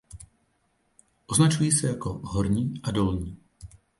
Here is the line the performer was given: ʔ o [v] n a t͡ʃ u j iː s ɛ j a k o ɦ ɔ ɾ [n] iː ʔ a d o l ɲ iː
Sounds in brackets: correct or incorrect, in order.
incorrect: z, incorrect: ɲ

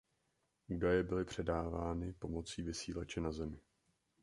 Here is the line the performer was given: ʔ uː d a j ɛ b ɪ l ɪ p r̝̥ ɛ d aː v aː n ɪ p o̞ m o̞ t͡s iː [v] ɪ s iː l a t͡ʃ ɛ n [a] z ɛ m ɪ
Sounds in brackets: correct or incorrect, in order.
correct, correct

